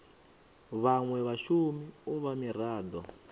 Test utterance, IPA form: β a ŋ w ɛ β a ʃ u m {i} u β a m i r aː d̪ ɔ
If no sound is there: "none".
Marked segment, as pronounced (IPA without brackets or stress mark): i